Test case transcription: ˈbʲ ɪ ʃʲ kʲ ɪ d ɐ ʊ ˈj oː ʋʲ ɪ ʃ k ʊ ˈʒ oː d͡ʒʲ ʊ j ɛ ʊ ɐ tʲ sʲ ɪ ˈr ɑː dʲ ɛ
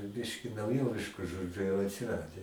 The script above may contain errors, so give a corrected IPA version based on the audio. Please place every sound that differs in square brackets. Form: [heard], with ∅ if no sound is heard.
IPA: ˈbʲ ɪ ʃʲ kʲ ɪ [n] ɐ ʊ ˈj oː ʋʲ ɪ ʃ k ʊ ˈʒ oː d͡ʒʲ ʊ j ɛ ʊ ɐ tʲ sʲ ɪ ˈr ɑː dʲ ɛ